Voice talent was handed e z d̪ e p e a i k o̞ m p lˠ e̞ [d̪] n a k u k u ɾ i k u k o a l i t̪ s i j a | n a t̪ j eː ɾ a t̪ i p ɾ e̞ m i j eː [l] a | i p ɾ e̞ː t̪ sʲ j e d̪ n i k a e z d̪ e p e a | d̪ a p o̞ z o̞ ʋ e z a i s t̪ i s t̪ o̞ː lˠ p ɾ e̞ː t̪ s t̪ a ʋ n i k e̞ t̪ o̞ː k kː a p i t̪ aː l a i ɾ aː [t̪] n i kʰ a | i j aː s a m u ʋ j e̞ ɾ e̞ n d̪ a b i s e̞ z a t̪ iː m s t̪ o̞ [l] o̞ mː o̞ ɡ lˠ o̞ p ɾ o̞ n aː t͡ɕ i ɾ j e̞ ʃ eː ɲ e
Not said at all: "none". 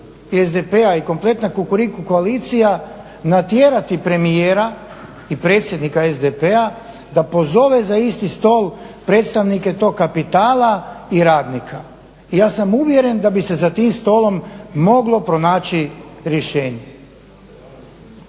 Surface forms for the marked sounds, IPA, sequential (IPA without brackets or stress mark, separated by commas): t̪, ɾ, d̪, l